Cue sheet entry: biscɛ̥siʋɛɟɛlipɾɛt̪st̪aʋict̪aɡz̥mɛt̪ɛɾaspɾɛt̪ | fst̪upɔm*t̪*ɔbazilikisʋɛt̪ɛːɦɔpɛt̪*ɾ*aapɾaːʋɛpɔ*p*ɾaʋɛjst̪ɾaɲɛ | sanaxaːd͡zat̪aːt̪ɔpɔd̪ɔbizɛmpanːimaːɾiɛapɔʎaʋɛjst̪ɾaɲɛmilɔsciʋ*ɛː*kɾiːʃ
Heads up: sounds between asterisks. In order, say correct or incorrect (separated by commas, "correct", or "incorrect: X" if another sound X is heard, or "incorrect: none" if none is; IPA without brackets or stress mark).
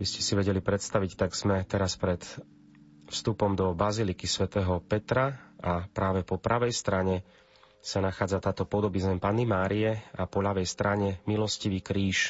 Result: incorrect: d̪, correct, correct, incorrect: iː